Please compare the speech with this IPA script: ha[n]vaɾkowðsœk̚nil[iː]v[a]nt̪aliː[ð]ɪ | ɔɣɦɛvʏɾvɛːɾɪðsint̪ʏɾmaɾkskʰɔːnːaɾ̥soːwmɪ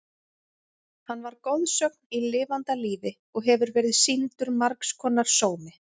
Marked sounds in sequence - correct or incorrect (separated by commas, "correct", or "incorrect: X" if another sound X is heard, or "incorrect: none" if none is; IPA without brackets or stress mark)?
incorrect: nː, incorrect: ɪː, correct, incorrect: v